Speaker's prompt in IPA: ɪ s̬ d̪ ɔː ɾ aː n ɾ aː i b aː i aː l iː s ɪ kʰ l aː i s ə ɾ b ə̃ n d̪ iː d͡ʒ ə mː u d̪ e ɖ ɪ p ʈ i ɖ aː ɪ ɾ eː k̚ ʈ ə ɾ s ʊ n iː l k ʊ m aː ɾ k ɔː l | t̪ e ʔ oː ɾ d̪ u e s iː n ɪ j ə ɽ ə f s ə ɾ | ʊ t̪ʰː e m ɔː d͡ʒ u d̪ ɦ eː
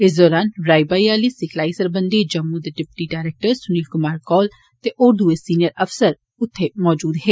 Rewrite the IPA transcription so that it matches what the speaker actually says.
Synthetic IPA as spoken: ɪ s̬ d̪ ɔː ɾ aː n ɾ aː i b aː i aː l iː s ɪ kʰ l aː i s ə ɾ b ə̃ n d̪ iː d͡ʒ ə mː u d̪ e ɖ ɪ p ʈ i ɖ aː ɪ ɾ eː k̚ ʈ ə ɾ s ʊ n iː l k ʊ m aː ɾ k ɔː l | t̪ e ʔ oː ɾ d̪ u e s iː n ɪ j ə ɾ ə f s ə ɾ | ʊ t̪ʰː e m ɔː d͡ʒ uː d̪ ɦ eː